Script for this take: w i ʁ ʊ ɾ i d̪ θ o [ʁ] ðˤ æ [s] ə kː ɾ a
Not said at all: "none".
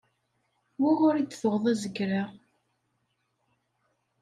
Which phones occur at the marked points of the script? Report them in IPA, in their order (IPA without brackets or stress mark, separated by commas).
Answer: ʁ, z